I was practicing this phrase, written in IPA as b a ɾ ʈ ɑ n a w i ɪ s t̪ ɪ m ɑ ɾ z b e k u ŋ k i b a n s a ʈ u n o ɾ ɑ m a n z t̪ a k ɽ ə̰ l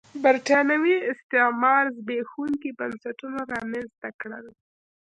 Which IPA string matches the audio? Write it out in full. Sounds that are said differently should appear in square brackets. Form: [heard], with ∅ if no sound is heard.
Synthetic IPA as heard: b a ɾ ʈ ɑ n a w i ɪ s t̪ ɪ m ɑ ɾ z b e [x] u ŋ k i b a n s a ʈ u n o ɾ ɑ m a n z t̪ a k ɽ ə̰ l